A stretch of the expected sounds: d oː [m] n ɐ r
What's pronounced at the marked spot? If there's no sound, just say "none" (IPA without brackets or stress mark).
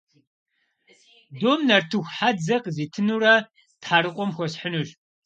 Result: m